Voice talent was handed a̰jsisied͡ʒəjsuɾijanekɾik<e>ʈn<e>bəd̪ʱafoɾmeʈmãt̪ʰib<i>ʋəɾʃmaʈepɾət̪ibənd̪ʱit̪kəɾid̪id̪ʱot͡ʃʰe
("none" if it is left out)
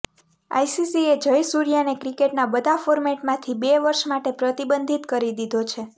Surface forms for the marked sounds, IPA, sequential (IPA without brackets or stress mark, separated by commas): e, a, e